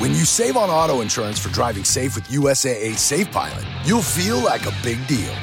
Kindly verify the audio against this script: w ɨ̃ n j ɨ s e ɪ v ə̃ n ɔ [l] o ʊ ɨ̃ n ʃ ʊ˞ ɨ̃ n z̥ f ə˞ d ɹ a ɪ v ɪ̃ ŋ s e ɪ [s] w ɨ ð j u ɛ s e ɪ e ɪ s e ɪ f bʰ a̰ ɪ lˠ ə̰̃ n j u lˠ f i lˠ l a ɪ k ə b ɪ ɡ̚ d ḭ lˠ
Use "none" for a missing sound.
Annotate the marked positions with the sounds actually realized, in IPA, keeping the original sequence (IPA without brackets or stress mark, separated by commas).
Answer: ɾ, f